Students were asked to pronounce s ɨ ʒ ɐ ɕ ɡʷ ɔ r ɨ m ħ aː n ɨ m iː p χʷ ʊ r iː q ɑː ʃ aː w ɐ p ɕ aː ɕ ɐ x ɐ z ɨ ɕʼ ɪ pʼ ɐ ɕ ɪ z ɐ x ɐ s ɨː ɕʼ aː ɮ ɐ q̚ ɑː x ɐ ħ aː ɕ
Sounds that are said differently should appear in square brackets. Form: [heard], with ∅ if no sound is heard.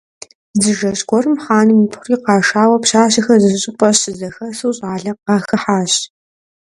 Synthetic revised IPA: [z] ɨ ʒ ɐ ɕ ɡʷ ɔ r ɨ m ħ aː n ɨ m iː p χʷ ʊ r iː q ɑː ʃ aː w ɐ p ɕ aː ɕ ɐ x ɐ z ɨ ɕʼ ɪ pʼ ɐ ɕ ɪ z ɐ x ɐ s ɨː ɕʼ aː ɮ ɐ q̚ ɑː x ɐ ħ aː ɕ